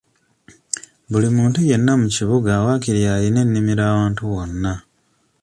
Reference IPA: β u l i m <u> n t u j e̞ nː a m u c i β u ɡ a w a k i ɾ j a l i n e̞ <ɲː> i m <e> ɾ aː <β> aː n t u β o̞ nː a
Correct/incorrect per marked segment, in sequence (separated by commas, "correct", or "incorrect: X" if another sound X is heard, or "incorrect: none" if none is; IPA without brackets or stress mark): incorrect: uː, incorrect: nː, incorrect: i, incorrect: w